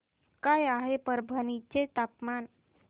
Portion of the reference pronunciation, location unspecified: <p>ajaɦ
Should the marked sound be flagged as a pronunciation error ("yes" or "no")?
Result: yes